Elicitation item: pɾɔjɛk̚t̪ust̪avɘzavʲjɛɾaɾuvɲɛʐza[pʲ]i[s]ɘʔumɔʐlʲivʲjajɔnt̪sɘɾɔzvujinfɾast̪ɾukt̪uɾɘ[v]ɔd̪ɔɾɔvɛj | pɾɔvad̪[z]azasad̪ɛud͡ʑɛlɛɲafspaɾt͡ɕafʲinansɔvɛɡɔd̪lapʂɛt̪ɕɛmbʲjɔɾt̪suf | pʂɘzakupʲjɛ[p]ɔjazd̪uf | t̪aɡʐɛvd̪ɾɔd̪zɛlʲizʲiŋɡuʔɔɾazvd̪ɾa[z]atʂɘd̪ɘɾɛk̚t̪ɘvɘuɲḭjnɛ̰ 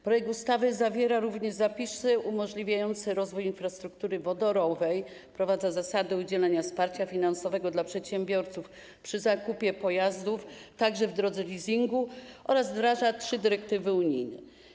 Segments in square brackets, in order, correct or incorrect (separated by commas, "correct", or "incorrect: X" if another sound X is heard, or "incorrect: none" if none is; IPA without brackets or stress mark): correct, correct, correct, correct, correct, incorrect: ʐ